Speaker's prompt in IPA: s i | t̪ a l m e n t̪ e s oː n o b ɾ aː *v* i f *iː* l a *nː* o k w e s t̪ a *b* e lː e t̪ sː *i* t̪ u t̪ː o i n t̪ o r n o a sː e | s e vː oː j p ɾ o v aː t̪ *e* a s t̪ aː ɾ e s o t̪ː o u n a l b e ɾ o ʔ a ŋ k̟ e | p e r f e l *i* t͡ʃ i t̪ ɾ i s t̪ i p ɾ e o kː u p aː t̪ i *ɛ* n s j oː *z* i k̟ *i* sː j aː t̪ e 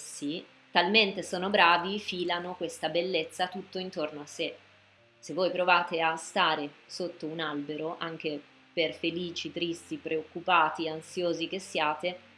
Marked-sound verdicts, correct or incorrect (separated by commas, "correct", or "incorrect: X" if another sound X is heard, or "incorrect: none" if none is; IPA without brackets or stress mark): correct, correct, incorrect: n, correct, incorrect: a, correct, incorrect: iː, incorrect: a, correct, incorrect: e